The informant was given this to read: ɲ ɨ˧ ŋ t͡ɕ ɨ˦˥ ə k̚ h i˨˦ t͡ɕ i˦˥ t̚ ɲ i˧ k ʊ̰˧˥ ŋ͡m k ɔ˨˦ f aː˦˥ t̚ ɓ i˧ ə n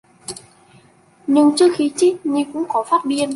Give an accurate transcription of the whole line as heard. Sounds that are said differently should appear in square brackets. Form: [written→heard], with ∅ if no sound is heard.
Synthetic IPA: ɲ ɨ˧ ŋ t͡ɕ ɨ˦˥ ə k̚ [h→x] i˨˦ t͡ɕ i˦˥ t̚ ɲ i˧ k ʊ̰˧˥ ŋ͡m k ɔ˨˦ f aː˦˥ t̚ ɓ i˧ ə n

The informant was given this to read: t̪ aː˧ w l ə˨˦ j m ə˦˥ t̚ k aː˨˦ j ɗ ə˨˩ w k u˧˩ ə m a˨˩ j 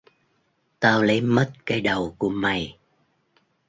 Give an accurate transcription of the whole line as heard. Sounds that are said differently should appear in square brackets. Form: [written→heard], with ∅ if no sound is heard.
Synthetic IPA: t̪ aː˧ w l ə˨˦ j m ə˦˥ t̚ k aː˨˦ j ɗ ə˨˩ w k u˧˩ ə m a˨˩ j

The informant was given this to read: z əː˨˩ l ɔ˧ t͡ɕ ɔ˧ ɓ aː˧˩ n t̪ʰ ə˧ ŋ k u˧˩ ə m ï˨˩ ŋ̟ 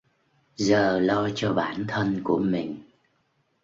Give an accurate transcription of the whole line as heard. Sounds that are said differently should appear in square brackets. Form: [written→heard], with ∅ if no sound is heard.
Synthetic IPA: z əː˨˩ l ɔ˧ t͡ɕ ɔ˧ ɓ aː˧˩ n t̪ʰ ə˧ [ŋ→n] k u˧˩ ə m ï˨˩ ŋ̟

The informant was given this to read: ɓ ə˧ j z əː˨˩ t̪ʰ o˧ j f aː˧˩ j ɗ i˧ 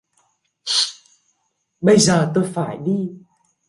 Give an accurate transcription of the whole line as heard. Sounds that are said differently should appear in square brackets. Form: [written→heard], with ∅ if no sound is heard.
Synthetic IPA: ɓ ə˧ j z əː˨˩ [t̪ʰ→t̪] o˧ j f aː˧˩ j ɗ i˧

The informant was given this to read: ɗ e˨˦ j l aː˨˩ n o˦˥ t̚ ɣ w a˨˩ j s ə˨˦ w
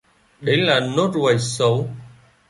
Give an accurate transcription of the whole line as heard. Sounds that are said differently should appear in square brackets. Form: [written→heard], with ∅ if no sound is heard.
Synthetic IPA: ɗ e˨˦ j l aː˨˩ n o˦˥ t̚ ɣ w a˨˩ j s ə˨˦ w

